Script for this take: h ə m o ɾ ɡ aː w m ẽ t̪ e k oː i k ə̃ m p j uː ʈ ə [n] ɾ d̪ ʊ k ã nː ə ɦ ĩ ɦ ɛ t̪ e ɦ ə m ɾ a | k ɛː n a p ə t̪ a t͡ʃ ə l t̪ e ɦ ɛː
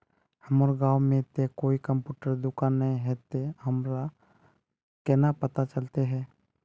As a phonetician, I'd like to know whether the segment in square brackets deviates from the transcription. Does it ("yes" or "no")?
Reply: yes